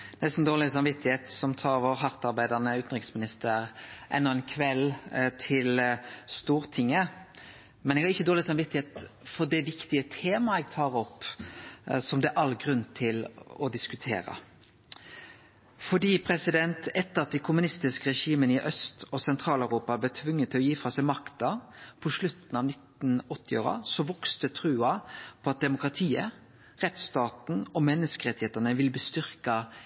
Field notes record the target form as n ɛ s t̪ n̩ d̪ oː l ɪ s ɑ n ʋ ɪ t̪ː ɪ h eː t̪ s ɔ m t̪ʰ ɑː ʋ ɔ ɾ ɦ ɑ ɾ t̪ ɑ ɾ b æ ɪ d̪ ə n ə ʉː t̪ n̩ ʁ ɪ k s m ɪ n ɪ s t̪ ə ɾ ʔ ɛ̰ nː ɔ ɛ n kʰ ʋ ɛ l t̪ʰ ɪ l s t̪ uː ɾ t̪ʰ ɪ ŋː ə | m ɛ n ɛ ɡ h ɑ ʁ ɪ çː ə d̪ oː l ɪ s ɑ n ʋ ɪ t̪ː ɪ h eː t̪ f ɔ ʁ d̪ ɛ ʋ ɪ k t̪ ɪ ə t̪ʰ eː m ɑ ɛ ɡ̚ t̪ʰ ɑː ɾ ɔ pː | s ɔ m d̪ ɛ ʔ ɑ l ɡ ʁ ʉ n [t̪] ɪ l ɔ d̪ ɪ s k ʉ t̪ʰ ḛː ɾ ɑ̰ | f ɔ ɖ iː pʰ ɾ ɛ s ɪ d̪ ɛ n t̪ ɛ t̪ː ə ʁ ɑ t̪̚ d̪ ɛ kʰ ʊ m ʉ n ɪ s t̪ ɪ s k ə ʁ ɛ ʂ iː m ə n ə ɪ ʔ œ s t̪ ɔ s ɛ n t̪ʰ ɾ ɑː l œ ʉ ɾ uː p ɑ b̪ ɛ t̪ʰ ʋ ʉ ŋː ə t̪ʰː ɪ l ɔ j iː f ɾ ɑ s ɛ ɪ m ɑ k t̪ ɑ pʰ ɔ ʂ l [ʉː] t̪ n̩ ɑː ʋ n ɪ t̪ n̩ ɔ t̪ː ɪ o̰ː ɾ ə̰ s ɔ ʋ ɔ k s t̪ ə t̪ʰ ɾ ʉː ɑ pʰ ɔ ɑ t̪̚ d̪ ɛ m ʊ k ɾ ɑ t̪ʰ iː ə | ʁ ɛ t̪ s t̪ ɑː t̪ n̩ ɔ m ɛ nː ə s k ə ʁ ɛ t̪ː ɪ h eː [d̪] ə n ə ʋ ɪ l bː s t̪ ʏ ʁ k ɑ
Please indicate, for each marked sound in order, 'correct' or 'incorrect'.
incorrect: t̪ʰ, incorrect: ʉ, incorrect: t̪

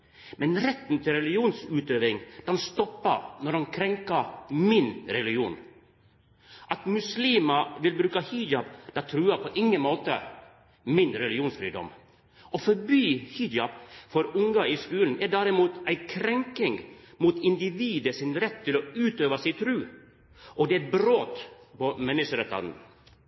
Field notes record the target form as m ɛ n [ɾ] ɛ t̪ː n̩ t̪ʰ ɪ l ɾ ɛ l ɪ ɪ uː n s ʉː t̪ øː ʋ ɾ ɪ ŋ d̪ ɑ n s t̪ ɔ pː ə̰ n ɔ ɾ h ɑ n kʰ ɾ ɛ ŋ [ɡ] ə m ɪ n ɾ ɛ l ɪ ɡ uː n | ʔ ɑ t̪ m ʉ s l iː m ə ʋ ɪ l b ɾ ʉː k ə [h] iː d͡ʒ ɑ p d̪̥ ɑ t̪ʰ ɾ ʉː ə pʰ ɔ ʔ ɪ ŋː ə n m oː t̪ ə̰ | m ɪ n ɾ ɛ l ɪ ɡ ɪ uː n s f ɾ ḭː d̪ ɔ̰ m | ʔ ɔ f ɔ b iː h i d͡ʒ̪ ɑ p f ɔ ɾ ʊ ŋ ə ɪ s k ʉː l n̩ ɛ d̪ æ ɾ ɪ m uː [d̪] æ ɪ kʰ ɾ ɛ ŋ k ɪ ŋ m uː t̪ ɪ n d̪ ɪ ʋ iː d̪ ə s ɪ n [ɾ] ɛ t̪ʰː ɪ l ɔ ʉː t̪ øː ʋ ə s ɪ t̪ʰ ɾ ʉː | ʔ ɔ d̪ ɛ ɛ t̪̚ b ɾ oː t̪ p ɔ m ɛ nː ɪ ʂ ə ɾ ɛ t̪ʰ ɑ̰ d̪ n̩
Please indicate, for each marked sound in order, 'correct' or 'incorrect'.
correct, incorrect: k, correct, incorrect: t̪, correct

